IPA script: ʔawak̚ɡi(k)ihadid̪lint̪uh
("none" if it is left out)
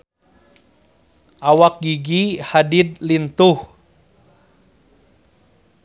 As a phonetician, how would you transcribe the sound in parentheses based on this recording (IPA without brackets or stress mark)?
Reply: ɡ